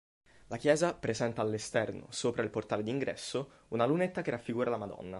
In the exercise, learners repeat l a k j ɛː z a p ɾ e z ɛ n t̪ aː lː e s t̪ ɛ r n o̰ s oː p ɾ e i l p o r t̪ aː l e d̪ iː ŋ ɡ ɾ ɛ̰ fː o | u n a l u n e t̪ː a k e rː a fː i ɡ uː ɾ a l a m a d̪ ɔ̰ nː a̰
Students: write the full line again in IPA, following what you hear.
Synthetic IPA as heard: l a k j ɛː z a p ɾ e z ɛ n t̪ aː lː e s t̪ ɛ r n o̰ s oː p ɾ a i l p o r t̪ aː l e d̪ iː ŋ ɡ ɾ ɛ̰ sː o | u n a l u n e t̪ː a k e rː a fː i ɡ uː ɾ a l a m a d̪ ɔ̰ nː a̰